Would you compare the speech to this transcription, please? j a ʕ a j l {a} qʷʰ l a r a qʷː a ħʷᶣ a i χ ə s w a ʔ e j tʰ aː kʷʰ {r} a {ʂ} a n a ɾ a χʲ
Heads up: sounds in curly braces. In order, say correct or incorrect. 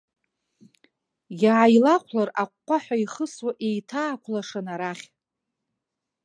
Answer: correct, incorrect, correct

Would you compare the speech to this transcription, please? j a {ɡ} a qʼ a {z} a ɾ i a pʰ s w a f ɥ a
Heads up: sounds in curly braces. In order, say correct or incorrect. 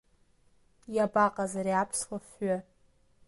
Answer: incorrect, correct

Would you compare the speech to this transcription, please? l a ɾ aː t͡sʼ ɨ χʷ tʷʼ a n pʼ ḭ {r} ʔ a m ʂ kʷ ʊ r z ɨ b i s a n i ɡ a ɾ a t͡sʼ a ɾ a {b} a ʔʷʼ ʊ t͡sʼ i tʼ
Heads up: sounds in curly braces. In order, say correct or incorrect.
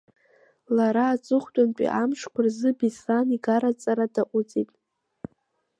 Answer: incorrect, incorrect

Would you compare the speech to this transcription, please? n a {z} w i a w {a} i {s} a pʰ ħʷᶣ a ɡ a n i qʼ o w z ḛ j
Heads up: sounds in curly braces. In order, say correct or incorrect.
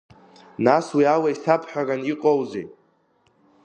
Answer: incorrect, correct, correct

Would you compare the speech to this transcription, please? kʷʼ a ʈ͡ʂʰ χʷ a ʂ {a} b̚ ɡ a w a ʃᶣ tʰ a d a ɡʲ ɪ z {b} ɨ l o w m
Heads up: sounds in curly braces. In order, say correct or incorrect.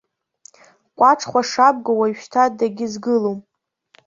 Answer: correct, incorrect

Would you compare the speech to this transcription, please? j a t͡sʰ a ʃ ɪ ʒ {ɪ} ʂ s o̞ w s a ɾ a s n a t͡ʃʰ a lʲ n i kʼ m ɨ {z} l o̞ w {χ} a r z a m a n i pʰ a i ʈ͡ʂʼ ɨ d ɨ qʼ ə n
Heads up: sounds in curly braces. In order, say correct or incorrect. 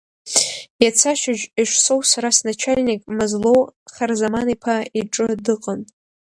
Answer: incorrect, correct, correct

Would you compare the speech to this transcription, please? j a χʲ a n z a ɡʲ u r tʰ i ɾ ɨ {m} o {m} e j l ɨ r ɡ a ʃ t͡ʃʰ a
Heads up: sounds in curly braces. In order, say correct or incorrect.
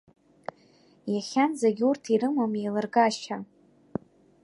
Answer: correct, correct

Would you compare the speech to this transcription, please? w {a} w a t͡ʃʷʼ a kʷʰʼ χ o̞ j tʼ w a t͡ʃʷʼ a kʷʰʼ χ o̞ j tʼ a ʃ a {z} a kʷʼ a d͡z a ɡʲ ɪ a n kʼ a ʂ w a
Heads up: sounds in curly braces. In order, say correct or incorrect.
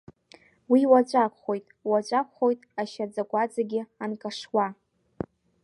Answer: incorrect, incorrect

